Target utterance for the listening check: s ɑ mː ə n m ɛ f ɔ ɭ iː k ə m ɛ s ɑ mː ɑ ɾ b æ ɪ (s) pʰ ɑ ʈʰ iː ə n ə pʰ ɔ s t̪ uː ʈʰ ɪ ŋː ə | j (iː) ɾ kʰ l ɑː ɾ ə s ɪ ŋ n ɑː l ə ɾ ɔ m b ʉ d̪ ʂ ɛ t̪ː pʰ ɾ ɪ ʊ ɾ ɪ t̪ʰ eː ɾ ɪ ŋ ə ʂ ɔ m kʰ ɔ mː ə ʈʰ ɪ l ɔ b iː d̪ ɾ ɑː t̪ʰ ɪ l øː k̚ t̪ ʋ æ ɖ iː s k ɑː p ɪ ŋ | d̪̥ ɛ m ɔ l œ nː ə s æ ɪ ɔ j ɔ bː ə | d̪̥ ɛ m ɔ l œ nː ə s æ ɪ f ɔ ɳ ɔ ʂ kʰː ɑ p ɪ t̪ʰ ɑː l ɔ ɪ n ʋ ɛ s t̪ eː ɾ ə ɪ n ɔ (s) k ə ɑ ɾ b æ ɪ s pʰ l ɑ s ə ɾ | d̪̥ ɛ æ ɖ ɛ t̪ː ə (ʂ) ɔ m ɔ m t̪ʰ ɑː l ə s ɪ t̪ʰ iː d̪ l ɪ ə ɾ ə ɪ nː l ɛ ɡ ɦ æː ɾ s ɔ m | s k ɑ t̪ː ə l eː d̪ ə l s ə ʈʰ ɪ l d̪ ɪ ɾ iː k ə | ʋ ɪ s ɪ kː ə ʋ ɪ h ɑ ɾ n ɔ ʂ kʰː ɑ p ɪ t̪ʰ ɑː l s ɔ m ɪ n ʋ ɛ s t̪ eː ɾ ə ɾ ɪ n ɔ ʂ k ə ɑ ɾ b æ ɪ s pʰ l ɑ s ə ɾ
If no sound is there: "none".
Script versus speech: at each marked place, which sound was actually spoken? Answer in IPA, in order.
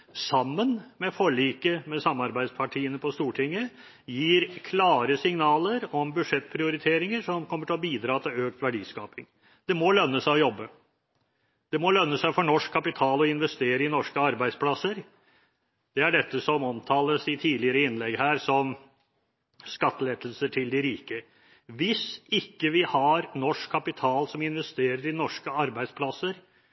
s, iː, ʂ, s

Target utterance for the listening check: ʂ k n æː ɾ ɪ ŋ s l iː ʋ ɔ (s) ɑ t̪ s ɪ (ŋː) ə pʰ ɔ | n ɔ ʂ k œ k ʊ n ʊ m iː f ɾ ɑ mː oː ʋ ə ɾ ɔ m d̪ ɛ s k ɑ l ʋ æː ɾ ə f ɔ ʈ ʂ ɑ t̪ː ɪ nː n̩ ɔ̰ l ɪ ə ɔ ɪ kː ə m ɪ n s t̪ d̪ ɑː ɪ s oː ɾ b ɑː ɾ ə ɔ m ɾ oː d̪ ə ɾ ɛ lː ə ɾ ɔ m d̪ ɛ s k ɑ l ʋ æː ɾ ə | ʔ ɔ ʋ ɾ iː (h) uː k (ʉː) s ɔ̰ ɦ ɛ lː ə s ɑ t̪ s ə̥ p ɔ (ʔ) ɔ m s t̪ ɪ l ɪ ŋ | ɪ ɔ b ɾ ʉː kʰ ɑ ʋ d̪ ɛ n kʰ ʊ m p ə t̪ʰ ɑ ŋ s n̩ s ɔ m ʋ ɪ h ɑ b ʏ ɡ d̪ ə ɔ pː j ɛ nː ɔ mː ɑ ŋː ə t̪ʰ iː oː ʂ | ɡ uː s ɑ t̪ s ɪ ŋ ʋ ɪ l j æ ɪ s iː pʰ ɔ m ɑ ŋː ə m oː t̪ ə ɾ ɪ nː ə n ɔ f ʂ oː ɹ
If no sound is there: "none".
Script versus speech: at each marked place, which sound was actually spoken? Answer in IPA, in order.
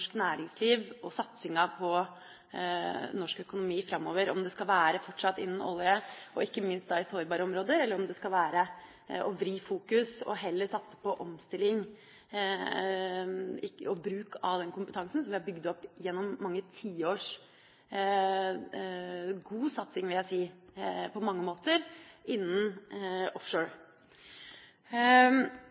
s, ŋ, f, ʉ, ʔ

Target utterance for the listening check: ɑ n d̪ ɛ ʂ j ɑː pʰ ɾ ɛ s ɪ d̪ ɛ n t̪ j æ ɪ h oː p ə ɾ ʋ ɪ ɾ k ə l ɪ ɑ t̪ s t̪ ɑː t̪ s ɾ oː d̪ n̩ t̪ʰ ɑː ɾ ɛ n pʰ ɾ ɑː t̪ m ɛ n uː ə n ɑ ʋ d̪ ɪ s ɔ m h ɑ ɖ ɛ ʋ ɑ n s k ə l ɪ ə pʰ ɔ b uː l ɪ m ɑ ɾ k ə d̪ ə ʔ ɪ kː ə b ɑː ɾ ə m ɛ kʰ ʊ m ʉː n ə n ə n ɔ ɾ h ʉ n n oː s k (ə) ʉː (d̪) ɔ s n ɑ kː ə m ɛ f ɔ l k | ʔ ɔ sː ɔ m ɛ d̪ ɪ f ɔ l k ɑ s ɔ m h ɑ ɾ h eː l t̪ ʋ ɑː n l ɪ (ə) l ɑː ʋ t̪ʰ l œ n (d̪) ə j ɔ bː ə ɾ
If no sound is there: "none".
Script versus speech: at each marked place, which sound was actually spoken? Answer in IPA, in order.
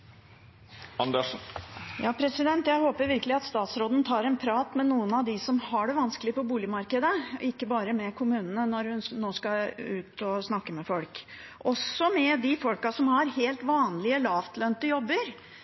ɑ, t̪, ə, t̪

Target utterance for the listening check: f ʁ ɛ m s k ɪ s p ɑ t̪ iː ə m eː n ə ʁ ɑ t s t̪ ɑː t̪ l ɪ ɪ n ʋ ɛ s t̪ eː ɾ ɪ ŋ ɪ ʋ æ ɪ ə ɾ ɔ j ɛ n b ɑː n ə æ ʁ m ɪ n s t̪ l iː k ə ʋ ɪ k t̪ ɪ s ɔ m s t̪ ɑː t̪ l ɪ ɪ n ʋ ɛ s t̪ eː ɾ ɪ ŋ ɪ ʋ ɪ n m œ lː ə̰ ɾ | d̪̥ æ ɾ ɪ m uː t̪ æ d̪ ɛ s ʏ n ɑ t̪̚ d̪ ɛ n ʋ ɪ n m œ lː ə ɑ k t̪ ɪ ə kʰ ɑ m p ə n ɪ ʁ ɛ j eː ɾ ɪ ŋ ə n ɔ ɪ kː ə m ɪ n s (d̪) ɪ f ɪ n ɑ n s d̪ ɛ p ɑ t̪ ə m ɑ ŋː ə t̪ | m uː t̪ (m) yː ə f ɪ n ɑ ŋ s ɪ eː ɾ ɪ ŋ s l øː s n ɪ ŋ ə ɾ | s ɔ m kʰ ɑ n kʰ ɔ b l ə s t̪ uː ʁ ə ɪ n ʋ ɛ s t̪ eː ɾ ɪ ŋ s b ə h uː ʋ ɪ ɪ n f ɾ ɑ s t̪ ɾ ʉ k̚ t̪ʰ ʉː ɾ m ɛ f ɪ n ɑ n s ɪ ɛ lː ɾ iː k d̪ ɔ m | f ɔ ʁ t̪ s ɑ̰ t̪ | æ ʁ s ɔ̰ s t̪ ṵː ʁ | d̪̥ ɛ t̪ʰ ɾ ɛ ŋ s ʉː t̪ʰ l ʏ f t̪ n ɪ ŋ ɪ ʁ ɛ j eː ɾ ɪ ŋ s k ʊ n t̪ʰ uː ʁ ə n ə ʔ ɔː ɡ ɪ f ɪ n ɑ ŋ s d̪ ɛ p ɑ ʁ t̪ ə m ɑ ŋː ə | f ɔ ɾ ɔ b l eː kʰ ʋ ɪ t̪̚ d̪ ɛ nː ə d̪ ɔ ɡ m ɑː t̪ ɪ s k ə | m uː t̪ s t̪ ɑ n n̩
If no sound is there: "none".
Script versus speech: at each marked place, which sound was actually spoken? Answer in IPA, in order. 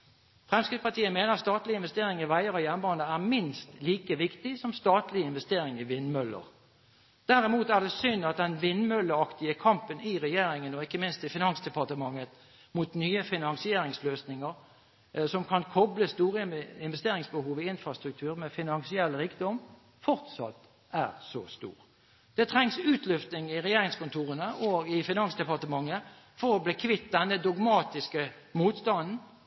t̪, n

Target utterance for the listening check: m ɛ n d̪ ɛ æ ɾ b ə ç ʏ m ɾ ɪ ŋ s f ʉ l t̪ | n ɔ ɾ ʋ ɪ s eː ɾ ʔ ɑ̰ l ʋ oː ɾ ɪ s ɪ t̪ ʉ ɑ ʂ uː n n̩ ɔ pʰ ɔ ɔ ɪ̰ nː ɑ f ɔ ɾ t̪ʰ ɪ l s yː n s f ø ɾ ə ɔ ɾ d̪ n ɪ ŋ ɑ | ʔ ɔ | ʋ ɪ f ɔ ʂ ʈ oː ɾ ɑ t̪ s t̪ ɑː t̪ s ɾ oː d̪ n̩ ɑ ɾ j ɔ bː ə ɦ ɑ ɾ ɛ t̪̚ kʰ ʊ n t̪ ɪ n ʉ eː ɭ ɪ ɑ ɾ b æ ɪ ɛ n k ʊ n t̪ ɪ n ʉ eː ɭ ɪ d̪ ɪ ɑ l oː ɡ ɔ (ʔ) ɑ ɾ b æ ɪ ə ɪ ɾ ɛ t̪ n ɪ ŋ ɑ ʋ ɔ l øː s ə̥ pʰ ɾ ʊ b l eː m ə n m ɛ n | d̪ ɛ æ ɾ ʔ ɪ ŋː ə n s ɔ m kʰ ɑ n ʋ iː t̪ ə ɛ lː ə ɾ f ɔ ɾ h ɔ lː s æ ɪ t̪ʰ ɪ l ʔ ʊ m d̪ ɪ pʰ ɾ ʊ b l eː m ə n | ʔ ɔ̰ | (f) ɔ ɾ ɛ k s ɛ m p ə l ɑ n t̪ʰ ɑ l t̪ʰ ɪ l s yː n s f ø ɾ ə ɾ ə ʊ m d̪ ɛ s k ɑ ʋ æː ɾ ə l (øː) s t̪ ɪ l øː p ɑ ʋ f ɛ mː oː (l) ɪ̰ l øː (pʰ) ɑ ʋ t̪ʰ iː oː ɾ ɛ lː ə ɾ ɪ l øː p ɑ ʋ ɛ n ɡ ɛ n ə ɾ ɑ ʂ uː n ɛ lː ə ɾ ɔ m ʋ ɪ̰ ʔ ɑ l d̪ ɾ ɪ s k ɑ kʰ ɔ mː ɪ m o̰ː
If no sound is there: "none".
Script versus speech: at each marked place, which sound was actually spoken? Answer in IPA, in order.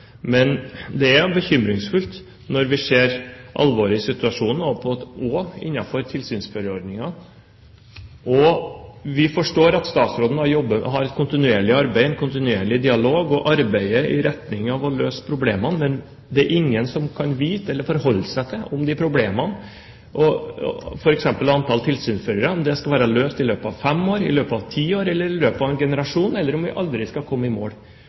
ʔ, f, øː, ɾ, p

